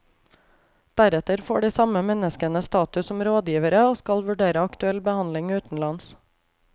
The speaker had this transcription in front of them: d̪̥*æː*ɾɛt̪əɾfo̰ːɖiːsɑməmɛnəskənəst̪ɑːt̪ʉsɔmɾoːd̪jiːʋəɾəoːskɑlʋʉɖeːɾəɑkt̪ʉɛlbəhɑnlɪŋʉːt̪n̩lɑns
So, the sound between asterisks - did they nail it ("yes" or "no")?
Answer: no